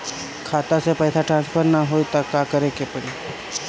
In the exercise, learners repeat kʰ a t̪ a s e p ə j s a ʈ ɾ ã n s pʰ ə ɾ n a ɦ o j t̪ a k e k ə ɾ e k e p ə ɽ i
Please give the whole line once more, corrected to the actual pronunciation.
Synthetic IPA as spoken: kʰ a t̪ a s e p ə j s a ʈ ɾ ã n s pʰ ə ɾ n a ɦ o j t̪ a k a k ə ɾ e k e p ə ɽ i